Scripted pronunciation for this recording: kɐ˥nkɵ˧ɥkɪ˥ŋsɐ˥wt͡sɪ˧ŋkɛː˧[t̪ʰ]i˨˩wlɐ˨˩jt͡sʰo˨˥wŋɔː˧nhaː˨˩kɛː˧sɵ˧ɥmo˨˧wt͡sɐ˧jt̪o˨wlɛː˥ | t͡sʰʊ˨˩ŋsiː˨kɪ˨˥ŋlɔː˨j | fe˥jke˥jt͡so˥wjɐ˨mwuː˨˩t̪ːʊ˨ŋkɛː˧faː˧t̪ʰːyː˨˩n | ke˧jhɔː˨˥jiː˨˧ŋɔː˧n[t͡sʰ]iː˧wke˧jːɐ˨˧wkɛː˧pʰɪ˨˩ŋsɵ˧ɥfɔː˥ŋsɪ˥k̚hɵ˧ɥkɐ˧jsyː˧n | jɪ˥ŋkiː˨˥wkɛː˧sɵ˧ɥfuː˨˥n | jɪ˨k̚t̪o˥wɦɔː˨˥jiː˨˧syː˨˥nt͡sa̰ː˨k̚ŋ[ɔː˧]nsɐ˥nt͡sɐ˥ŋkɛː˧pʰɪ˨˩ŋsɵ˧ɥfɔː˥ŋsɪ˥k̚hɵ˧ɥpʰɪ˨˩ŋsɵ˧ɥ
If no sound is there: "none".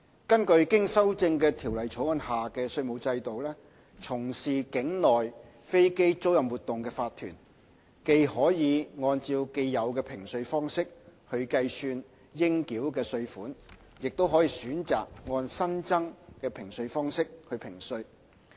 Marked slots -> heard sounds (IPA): t̪ʰ, t͡s, ɔː˧

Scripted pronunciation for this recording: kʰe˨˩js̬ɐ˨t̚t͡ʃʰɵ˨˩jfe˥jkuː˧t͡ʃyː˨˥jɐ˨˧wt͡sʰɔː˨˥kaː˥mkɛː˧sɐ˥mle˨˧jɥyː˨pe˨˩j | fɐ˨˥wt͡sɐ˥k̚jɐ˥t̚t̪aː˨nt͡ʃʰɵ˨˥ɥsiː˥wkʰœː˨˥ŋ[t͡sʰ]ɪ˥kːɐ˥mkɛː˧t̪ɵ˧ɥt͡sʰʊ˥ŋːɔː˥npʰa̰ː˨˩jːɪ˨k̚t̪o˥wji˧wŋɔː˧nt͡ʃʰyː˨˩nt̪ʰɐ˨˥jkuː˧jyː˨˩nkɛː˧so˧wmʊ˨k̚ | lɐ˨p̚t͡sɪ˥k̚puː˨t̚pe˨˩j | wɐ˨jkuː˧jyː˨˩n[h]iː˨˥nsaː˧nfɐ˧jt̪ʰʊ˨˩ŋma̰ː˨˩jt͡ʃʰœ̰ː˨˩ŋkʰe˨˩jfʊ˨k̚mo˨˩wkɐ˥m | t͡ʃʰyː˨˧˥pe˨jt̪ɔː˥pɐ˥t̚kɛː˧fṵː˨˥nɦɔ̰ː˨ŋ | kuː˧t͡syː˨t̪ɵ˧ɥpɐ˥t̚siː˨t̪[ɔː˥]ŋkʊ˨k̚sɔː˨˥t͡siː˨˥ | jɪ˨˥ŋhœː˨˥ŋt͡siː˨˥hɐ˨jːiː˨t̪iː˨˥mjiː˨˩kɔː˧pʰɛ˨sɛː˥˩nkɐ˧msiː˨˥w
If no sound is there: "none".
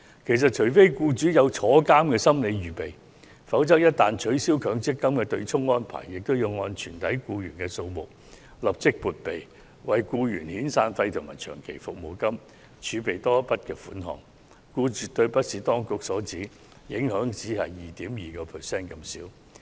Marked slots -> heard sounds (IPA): t͡s, h, ɔː˥

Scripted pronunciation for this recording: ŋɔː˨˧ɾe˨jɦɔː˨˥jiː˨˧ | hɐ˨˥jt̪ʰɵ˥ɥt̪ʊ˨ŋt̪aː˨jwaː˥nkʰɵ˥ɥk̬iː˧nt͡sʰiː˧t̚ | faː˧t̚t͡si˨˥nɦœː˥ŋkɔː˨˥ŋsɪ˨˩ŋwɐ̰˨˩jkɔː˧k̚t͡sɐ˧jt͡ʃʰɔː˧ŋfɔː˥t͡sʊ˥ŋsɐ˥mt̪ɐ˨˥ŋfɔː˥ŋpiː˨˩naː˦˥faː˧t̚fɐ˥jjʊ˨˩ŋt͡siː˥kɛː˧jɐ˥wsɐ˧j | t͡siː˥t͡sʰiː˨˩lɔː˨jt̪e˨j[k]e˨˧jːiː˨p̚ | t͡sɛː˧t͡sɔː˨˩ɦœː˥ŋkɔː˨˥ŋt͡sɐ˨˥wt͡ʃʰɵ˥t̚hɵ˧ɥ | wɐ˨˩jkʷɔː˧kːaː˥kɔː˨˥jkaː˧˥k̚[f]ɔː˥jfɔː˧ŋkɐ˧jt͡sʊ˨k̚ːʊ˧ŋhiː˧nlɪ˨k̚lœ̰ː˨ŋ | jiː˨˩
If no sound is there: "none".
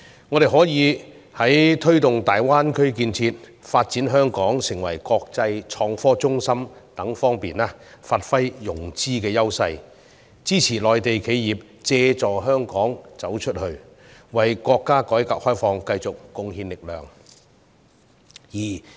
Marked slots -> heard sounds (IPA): kʰ, h

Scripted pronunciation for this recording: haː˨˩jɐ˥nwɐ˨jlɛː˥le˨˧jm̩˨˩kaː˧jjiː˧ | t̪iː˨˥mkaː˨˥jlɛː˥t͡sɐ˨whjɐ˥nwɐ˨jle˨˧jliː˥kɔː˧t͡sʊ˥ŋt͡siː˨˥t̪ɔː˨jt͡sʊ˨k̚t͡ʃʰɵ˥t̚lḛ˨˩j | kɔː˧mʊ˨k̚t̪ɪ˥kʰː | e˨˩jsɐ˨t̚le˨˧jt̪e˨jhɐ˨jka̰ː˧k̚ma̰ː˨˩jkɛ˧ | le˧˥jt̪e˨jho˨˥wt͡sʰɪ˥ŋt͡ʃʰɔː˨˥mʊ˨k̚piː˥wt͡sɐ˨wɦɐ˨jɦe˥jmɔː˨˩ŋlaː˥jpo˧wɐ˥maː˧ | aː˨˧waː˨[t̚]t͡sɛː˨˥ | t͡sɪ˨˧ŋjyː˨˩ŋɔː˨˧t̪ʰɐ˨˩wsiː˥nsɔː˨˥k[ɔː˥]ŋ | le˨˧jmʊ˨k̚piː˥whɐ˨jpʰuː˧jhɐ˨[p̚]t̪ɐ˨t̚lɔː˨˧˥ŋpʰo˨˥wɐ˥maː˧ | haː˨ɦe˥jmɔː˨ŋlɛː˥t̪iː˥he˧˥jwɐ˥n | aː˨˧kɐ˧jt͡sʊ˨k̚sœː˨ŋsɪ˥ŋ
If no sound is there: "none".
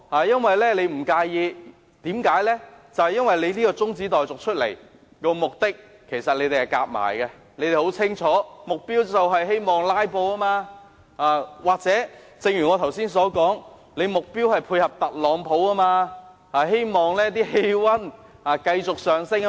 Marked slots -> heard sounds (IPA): k̚, ɔː˨˥, p̚

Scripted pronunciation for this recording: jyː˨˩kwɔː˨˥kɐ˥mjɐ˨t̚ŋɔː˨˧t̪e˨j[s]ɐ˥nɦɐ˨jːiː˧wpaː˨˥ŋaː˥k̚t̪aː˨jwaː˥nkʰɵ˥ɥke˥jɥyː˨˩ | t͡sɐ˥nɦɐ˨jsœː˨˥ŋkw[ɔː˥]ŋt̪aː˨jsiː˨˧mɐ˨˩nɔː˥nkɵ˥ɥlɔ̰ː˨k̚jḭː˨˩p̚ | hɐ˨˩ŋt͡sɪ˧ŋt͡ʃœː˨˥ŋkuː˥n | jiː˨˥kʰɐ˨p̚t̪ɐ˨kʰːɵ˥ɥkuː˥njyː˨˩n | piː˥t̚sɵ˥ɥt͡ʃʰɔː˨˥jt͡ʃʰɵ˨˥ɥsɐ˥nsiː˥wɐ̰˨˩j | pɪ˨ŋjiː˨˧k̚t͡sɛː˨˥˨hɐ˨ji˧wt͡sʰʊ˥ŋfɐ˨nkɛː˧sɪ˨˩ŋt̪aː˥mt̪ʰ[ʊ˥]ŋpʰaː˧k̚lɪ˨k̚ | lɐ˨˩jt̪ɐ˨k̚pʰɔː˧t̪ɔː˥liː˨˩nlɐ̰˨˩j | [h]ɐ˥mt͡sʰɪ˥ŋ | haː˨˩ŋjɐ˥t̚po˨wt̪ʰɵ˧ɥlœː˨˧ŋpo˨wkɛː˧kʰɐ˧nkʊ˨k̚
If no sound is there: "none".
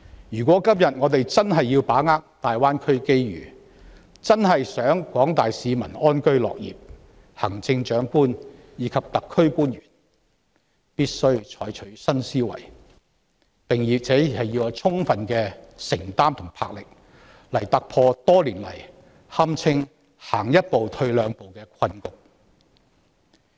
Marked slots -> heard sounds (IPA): t͡s, ɔː˨˥, ʊ˨˩, h

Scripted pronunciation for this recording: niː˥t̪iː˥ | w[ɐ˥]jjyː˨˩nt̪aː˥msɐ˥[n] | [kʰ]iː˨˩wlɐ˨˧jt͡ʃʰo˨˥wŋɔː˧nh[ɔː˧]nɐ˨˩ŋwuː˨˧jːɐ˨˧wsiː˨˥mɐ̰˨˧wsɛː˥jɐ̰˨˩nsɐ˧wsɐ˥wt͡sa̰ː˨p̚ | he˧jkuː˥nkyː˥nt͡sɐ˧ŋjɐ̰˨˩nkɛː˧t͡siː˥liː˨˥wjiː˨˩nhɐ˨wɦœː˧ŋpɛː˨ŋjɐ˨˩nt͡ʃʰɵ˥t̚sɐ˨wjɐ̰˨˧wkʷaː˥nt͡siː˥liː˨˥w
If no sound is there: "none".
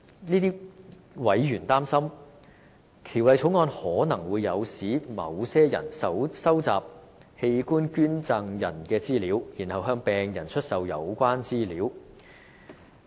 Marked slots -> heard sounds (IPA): ɐ˨˥, m, kʰ, ɔː˨˥

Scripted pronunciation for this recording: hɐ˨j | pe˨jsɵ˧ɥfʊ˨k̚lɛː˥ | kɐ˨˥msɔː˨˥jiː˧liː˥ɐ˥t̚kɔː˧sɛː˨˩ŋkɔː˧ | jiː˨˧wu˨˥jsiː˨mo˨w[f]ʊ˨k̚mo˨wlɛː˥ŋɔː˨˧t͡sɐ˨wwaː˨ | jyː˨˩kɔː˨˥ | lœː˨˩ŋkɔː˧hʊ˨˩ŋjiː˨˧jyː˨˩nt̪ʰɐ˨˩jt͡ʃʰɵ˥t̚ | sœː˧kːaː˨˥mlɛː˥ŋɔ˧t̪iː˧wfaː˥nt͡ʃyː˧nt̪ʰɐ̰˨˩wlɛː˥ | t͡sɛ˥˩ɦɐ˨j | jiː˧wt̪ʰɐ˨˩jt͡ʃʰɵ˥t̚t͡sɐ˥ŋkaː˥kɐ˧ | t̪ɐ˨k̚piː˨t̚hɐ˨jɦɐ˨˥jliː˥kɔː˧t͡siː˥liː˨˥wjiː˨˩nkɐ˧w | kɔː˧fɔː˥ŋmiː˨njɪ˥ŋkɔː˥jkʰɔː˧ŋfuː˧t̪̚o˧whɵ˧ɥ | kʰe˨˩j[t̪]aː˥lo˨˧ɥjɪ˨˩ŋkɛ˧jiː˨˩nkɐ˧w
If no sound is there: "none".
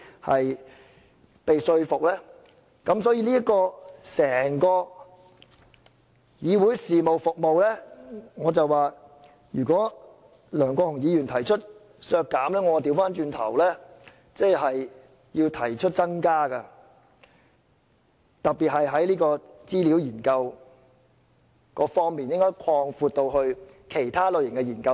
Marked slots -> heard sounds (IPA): f, t̪ʰ

